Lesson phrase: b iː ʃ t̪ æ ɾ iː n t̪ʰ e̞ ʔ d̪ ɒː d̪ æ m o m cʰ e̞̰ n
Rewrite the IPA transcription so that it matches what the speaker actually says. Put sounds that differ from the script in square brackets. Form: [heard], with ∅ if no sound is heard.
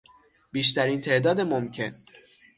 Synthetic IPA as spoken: b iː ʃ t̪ æ ɾ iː n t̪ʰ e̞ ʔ d̪ ɒː d̪ [e] m o m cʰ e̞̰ n